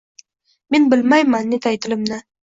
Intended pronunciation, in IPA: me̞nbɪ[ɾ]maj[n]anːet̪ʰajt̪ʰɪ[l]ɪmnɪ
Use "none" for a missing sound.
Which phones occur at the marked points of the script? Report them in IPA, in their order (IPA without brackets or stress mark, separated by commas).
l, m, l